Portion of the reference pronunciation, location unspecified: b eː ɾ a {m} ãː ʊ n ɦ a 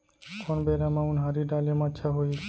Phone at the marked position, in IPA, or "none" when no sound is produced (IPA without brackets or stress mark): m